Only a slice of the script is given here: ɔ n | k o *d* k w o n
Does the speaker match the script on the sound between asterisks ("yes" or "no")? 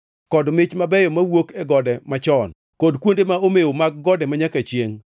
yes